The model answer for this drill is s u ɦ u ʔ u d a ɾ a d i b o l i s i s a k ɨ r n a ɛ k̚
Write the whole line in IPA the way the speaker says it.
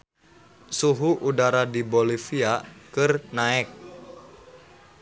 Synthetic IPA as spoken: s u ɦ u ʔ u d a ɾ a d i b o l i f i a k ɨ r n a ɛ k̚